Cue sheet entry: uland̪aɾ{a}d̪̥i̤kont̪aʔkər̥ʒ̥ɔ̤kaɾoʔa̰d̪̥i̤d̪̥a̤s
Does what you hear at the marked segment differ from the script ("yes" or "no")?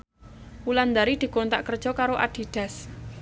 yes